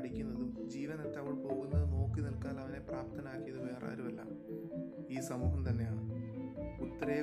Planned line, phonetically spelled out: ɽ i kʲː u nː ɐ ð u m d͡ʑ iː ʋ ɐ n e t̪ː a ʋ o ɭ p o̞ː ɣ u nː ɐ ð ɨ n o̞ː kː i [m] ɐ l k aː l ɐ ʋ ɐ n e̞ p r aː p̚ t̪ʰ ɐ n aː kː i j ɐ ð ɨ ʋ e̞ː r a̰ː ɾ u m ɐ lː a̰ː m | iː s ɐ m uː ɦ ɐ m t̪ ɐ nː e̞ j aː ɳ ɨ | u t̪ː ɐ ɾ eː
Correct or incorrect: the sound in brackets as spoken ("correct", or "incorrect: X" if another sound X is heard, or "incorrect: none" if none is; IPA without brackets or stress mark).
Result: incorrect: n